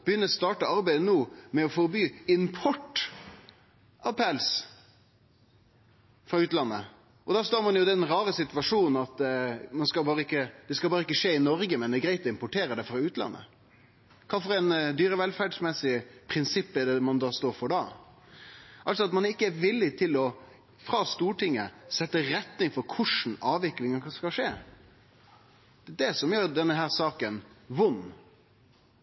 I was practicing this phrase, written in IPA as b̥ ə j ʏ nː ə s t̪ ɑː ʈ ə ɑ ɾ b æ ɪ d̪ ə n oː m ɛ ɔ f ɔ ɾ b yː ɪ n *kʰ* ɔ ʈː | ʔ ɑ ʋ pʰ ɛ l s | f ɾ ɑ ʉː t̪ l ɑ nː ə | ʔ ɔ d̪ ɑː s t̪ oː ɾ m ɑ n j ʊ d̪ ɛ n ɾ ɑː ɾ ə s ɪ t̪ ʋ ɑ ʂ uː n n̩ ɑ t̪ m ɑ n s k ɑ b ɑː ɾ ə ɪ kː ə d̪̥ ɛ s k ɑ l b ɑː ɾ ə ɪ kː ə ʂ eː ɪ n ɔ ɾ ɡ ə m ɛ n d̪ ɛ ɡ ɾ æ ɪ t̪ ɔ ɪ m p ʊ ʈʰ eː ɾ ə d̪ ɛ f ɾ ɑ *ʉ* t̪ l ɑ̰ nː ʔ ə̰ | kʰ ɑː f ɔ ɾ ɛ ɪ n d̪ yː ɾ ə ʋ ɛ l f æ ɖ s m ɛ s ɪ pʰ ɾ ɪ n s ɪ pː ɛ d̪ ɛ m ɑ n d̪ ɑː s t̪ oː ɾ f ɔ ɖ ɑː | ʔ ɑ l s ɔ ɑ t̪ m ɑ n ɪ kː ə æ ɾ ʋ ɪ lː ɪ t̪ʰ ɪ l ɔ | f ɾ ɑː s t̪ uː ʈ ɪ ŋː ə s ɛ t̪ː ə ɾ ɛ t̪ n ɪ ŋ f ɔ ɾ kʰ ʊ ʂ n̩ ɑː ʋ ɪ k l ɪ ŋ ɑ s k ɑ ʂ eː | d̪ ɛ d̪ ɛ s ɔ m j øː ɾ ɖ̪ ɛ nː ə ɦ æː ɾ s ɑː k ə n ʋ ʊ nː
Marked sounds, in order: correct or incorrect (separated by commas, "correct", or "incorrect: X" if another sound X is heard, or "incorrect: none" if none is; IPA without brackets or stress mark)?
incorrect: pʰ, incorrect: ʉː